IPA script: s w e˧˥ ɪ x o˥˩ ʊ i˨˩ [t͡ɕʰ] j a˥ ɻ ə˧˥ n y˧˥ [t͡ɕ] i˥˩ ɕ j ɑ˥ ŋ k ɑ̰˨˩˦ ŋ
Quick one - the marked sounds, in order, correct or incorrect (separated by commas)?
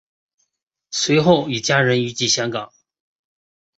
incorrect, correct